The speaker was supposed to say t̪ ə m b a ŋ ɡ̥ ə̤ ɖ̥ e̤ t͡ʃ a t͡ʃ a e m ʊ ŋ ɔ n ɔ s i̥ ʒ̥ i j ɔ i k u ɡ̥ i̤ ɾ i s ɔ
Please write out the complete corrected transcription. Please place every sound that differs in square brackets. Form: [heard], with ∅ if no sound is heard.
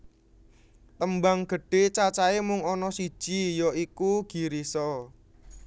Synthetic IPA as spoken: t̪ ə m b a ŋ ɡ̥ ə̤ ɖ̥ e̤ t͡ʃ a t͡ʃ a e m ʊ ŋ ɔ n ɔ s i̥ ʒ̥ i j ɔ i k u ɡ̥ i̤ ɾ i s ɔ